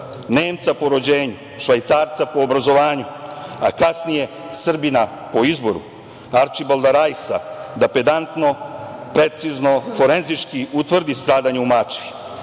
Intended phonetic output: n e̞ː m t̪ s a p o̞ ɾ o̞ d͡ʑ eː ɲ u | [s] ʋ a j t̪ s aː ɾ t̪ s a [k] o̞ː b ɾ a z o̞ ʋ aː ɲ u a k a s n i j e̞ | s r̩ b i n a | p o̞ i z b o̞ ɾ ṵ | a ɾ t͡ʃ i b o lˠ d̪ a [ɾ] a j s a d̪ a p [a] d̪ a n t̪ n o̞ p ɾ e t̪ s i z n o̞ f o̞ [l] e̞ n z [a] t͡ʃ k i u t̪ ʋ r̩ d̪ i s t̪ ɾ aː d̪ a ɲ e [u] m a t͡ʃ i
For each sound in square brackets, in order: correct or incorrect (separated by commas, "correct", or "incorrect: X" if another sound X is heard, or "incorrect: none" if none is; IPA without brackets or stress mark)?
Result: incorrect: ʃ, incorrect: p, correct, incorrect: e, incorrect: ɾ, incorrect: i, correct